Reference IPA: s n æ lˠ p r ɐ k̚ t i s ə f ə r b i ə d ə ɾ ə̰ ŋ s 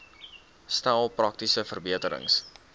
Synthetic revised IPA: s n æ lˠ p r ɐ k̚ t i s ə f ə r b i ə t ə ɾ ə̰ ŋ s